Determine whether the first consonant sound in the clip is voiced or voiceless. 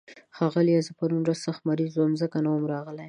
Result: voiceless